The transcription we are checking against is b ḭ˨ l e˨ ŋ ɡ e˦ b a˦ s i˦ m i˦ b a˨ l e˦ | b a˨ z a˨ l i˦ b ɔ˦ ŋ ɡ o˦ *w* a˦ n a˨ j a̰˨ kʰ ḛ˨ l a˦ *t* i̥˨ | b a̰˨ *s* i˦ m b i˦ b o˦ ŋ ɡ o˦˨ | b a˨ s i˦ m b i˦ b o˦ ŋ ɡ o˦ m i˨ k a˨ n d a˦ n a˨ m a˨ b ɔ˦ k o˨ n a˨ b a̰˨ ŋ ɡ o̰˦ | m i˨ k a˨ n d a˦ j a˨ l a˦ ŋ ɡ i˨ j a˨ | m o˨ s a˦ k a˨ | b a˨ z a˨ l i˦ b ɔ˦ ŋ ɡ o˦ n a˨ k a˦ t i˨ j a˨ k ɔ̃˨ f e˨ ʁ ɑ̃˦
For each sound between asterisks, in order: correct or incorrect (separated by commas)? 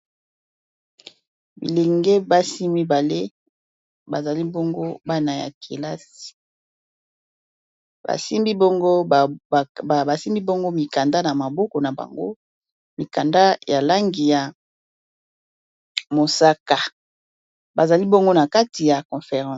incorrect, incorrect, correct